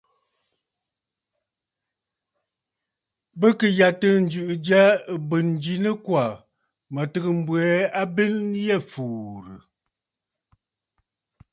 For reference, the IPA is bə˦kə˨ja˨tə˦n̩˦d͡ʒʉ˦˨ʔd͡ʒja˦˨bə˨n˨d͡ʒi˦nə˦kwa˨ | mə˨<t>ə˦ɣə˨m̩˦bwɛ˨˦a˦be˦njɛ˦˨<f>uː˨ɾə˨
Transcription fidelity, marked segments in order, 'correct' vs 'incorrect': correct, correct

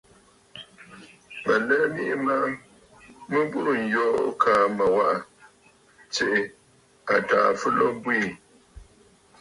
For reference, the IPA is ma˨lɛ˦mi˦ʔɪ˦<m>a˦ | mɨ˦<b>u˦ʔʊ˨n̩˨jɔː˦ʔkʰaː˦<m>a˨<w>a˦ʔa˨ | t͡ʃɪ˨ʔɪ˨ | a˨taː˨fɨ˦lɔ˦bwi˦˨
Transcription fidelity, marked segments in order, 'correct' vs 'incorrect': correct, correct, correct, correct

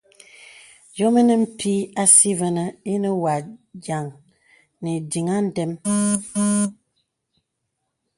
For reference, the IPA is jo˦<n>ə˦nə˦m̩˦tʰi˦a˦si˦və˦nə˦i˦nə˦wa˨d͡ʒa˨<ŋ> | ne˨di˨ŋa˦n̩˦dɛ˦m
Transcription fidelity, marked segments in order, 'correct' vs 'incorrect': incorrect, correct

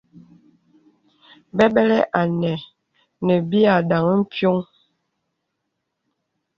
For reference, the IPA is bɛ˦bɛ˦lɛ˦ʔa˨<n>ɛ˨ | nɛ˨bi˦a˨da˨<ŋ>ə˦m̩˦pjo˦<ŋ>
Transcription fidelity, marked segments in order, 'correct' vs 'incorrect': correct, correct, correct

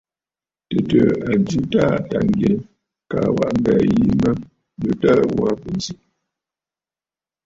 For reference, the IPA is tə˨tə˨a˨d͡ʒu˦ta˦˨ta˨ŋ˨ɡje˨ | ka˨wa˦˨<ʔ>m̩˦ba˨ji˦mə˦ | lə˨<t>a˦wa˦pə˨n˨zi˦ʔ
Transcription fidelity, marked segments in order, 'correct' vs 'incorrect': correct, correct

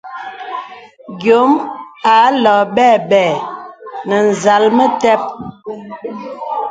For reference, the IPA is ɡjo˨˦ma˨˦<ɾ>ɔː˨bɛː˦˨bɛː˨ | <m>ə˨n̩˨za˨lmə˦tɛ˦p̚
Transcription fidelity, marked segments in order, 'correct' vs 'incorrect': incorrect, incorrect

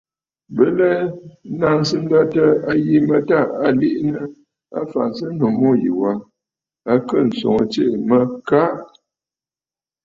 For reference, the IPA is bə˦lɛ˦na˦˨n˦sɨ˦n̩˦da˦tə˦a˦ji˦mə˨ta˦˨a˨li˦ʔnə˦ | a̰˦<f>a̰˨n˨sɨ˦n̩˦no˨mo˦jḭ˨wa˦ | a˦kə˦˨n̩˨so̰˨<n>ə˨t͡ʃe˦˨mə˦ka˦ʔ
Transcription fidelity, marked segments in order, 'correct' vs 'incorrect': correct, incorrect

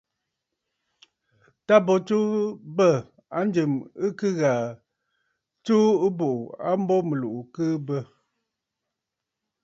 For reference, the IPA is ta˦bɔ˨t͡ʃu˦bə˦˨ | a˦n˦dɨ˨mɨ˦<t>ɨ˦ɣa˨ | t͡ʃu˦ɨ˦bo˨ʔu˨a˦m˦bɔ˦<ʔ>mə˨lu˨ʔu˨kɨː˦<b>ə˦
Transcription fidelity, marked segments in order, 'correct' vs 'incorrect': incorrect, incorrect, correct

